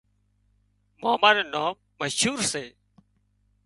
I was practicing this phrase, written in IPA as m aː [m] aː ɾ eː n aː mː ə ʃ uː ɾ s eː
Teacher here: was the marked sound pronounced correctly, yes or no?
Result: yes